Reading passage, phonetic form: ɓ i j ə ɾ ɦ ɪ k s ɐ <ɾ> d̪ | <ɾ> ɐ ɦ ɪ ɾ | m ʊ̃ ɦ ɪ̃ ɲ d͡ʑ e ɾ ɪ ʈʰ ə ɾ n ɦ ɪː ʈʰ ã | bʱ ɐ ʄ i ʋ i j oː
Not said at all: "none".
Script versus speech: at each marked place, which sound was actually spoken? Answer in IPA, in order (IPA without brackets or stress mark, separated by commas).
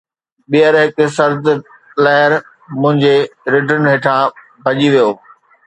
ɾ, l